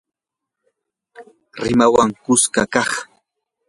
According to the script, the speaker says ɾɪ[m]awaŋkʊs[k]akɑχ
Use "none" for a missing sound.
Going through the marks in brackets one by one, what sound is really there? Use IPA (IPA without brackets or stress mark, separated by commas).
m, k